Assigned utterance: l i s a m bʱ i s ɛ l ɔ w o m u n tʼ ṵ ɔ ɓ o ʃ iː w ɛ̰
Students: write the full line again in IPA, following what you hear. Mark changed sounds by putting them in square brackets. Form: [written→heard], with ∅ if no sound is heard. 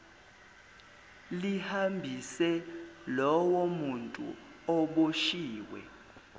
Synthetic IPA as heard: l i [s→h] a m bʱ i s ɛ l ɔ w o m u n tʼ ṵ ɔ ɓ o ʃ iː w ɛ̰